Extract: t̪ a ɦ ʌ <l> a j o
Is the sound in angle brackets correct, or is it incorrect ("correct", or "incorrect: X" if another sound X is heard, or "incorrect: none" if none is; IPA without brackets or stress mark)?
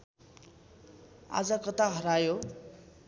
incorrect: ɾ